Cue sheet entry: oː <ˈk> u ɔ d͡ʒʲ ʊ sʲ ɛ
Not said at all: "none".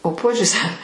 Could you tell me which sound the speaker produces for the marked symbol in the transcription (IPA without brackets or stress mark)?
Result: p